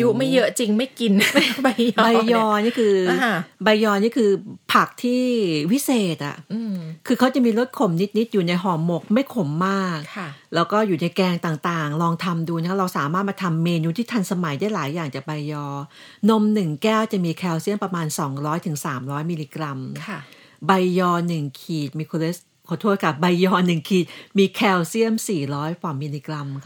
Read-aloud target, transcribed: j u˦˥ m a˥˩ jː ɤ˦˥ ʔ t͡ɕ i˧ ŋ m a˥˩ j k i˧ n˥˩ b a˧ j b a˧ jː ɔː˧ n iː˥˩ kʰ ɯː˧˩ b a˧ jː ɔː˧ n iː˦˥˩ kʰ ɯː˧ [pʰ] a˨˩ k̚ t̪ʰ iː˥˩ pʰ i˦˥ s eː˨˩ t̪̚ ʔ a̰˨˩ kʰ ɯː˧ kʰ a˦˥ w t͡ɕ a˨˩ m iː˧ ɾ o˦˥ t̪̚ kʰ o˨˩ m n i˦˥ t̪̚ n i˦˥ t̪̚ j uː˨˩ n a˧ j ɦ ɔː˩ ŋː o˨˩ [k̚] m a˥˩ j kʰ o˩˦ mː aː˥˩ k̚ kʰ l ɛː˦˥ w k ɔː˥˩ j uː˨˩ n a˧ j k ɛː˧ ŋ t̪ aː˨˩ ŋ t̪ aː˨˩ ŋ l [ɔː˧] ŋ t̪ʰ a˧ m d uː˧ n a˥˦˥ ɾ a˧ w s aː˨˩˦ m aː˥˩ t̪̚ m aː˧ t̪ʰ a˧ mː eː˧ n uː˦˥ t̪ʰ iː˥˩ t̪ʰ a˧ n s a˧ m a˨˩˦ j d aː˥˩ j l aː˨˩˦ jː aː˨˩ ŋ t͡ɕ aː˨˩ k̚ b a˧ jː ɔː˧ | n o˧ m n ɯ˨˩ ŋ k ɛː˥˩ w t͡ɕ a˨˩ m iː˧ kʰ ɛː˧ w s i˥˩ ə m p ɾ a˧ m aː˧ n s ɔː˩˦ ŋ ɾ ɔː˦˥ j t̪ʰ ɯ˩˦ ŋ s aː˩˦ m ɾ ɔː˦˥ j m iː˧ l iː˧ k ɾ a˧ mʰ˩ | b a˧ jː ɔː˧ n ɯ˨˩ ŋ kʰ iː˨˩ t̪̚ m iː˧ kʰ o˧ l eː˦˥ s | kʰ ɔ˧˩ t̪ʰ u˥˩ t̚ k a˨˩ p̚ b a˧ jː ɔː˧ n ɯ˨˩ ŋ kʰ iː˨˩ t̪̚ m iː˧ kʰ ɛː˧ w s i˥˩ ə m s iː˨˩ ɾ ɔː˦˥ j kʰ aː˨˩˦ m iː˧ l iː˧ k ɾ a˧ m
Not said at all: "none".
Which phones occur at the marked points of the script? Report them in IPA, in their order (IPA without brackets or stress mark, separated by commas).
pʰ, k̚, ɔː˧